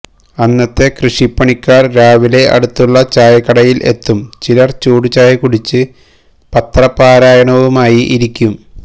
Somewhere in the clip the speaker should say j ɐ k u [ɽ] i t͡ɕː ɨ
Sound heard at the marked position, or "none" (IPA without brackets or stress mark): ɽ